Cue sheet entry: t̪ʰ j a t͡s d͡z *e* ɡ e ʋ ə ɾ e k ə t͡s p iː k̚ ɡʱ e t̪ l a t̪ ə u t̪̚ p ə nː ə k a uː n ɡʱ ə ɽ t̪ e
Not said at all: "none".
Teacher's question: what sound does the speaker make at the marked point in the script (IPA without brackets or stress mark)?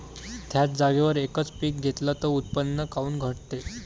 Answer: a